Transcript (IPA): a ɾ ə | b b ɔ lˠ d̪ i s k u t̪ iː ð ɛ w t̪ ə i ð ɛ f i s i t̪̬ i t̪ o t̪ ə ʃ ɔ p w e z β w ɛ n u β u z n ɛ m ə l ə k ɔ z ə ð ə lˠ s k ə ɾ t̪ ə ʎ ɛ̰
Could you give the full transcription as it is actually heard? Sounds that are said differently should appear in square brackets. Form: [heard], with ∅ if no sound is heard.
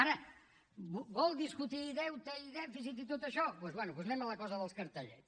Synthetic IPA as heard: a ɾ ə | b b ɔ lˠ d̪ i s k u t̪ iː ð ɛ w t̪ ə i ð ɛ f i s i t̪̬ i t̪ o t̪ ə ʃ ɔ p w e z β w ɛ n u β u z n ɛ m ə l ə k ɔ z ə ð ə lˠ s k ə ɾ t̪ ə ʎ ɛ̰